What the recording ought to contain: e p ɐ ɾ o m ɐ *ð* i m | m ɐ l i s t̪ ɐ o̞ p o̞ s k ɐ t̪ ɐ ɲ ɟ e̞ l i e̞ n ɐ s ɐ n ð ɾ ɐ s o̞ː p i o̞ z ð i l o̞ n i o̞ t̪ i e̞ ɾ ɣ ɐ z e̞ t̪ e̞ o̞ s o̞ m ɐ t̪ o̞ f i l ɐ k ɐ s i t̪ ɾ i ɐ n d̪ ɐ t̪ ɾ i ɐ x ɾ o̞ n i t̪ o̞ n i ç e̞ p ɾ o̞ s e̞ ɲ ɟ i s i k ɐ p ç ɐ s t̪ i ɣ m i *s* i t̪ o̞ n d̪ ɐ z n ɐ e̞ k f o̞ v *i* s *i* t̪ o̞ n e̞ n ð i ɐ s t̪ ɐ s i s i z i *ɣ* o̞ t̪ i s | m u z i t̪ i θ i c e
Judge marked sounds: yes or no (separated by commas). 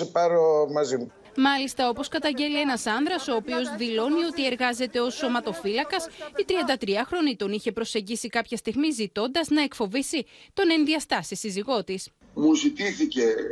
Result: no, no, yes, yes, yes